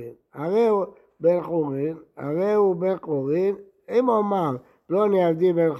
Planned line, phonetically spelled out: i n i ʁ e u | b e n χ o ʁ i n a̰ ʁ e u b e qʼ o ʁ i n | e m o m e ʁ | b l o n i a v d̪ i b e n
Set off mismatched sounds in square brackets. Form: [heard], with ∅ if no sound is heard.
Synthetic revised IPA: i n [a] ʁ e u | b e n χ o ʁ i n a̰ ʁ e u b e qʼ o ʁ i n | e m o m [a] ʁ | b l o n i a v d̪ i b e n